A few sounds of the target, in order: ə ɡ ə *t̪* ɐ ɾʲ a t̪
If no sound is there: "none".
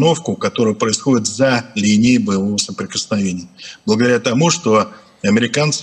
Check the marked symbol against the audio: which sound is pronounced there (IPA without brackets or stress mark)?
d̪